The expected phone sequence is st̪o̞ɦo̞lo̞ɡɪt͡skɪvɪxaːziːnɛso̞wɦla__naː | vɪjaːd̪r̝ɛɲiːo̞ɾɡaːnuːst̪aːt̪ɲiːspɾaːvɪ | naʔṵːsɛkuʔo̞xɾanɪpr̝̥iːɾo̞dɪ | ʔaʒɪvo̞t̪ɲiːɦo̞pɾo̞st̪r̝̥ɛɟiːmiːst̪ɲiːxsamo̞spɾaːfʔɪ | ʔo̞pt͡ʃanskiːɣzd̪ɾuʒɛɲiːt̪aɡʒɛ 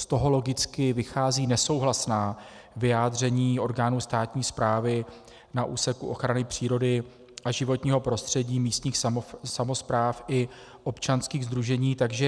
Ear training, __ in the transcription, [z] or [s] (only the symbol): s